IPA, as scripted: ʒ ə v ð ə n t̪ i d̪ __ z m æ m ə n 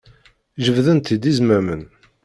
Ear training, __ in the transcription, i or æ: i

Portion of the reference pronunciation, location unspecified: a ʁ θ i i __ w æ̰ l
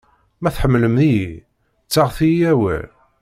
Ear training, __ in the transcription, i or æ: æ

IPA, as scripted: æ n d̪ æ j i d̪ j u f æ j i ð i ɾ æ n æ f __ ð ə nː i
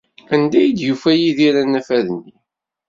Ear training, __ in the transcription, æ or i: æ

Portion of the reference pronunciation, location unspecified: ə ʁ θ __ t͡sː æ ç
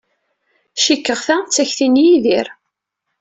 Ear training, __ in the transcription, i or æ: æ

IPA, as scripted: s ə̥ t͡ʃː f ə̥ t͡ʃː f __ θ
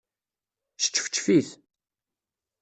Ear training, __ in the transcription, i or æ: i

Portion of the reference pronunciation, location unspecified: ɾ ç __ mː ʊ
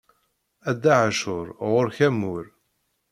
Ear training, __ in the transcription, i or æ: æ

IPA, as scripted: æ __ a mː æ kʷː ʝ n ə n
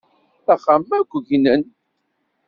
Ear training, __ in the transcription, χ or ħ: χ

